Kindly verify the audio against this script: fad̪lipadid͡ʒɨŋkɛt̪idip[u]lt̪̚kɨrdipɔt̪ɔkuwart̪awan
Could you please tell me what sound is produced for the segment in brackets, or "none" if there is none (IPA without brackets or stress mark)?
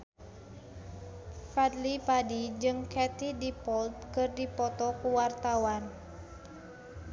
ɔ